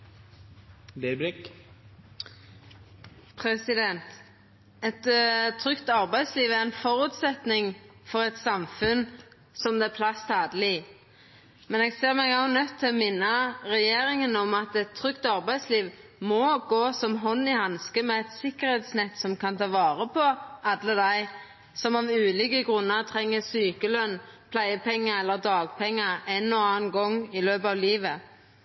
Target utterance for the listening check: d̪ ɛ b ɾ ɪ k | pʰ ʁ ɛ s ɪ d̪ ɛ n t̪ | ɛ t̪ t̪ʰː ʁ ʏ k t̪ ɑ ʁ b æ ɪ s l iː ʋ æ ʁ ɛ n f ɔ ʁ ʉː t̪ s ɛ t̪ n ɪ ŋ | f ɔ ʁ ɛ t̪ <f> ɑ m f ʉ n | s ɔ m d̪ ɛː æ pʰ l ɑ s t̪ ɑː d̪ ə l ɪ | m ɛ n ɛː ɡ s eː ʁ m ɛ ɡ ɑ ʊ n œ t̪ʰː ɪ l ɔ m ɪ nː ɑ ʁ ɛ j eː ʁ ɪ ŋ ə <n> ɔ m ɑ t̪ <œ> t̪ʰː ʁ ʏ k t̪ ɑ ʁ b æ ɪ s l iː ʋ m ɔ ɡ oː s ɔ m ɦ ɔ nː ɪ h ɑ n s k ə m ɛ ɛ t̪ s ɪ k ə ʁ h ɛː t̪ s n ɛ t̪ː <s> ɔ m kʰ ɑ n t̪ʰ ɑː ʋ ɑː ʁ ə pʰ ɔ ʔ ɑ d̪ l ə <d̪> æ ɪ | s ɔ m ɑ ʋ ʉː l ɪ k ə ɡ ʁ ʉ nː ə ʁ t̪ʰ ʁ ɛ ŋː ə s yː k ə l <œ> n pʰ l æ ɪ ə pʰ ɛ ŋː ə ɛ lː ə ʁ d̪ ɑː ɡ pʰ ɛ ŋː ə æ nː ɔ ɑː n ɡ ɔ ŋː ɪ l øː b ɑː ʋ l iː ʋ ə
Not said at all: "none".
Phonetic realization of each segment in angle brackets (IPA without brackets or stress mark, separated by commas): s, n, ɛ, s, d̪, œ